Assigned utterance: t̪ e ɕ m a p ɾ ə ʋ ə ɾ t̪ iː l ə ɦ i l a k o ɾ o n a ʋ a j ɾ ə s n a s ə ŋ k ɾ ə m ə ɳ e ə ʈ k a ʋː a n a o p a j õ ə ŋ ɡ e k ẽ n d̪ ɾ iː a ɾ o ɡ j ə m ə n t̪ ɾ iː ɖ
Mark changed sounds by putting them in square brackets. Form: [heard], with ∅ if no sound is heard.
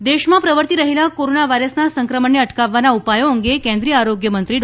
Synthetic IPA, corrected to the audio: [d̪] e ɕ m a p ɾ ə ʋ ə ɾ t̪ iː [ɾ] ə ɦ i l a k o ɾ o n a ʋ a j ɾ ə s n a s ə ŋ k ɾ ə m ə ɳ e ə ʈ k a ʋː a n a [u] p a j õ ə ŋ ɡ e k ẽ n d̪ ɾ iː a ɾ o ɡ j ə m ə n t̪ ɾ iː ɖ